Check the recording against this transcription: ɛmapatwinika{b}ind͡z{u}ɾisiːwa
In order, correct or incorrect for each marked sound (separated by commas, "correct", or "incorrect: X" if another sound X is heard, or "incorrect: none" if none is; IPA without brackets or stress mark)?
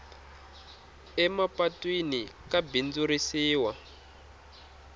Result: correct, correct